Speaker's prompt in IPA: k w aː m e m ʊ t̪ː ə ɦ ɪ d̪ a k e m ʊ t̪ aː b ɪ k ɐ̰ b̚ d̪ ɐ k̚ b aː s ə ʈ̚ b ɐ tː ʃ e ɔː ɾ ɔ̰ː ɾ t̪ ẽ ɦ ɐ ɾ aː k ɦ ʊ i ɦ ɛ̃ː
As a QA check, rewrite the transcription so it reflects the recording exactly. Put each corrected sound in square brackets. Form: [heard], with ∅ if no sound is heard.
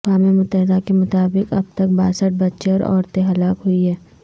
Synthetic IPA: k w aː m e m ʊ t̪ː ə ɦ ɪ d̪ a k e m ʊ t̪ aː b ɪ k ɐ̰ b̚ [t̪] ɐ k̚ b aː s ə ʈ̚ b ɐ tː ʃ e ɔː ɾ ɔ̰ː ɾ t̪ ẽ ɦ ɐ [l] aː k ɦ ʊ i ɦ [ɛː]